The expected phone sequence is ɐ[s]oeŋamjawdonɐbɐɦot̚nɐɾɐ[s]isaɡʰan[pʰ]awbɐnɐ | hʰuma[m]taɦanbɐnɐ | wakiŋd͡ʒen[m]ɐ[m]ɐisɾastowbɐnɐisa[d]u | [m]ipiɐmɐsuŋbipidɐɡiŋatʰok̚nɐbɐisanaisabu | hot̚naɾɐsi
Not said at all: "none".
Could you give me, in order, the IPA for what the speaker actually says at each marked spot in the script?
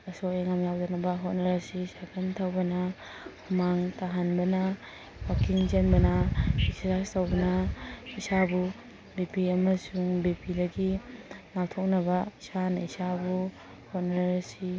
s, s, tʰ, ŋ, b, n, b, b

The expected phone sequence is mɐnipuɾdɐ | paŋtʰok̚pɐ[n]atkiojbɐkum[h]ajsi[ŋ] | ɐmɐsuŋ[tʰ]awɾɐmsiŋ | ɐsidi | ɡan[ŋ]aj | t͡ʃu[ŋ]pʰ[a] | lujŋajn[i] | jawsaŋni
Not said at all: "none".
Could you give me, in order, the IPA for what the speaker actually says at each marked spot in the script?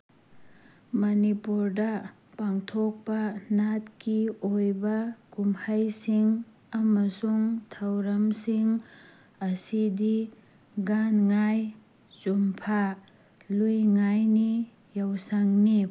n, h, ŋ, tʰ, ŋ, m, a, i

